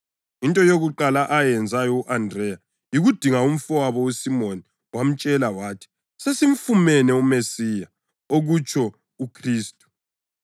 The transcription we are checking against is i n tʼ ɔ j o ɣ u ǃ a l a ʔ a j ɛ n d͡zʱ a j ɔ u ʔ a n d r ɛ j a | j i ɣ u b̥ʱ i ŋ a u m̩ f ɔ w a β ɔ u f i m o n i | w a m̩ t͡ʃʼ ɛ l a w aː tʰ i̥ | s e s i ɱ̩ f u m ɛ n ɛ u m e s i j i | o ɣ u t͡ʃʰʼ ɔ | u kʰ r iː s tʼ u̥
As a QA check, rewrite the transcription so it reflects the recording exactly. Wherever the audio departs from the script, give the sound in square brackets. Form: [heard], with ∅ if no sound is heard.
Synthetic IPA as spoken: i n tʼ ɔ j o ɣ u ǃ a l a ʔ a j ɛ n d͡zʱ a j ɔ u ʔ a n d r ɛ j a | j i ɣ u [d̥ʱ] i ŋ a u m̩ f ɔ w a β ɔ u [s] i m o n i | w a m̩ t͡ʃʼ ɛ l a w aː tʰ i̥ | s e s i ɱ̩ f u m ɛ n ɛ u m e s i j [a] | o ɣ u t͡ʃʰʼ ɔ | u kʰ r iː s tʼ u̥